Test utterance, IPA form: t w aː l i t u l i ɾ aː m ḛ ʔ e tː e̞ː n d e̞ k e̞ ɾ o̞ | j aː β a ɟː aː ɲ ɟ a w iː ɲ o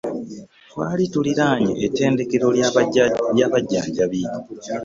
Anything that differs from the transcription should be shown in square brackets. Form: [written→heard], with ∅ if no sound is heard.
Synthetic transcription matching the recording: t w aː l i t u l i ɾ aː [m→ɲ] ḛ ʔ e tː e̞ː n d e̞ k e̞ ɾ o̞ | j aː β a ɟː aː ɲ ɟ a [w→β] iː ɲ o